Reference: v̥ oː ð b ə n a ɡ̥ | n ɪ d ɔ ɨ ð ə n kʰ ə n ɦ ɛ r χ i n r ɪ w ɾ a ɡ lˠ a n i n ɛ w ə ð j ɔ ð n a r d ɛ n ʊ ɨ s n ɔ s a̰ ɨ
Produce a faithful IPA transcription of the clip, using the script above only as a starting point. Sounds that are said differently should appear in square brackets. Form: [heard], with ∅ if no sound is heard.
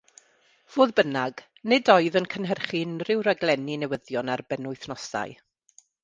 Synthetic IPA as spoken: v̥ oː ð b ə n a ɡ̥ | n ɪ d ɔ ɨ ð ə n kʰ ə n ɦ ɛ r χ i n r ɪ w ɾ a ɡ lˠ [ɛ] n i n ɛ w ə ð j ɔ [∅] n a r [b] ɛ n ʊ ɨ [θ] n ɔ s a̰ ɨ